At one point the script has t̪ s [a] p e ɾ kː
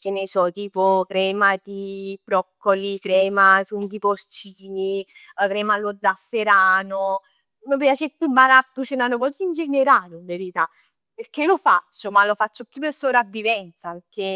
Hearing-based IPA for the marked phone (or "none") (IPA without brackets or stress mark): a